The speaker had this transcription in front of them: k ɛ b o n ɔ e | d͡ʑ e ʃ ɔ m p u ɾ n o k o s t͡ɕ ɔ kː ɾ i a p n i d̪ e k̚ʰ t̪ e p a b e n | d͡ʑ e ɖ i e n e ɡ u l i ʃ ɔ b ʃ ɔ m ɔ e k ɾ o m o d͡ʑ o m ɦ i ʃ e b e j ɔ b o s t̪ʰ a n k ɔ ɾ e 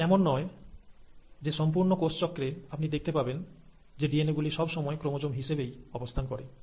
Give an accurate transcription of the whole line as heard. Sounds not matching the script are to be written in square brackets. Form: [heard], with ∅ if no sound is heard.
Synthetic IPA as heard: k ɛ [m] o [nː] ɔ e | d͡ʑ e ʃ ɔ m p u ɾ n o k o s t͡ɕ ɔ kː ɾ [e] a p n i d̪ e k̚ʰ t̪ e p a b e n | d͡ʑ e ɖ i e n e ɡ u l i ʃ ɔ b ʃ ɔ m ɔ e k ɾ o m o d͡ʑ o m ɦ i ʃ e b e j ɔ b o s t̪ʰ a n k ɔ ɾ e